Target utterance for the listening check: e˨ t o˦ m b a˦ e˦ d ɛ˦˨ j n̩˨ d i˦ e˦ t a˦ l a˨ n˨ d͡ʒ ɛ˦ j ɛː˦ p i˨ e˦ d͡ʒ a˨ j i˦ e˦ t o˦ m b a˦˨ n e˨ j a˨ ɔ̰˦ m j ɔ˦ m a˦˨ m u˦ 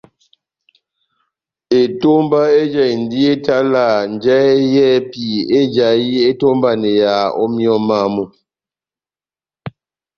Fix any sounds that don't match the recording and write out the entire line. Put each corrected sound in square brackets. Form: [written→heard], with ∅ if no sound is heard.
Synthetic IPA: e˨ t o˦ m b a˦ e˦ [d→d͡ʒ] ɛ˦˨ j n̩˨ d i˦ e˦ t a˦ l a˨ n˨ d͡ʒ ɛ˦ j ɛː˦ p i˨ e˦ d͡ʒ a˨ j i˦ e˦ t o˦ m b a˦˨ n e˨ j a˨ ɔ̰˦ m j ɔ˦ m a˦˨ m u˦